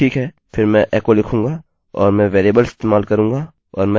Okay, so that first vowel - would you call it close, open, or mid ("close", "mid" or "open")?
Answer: close